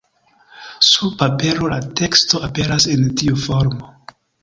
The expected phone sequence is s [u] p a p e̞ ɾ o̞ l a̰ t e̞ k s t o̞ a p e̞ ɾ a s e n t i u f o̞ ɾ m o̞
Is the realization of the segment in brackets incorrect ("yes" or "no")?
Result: no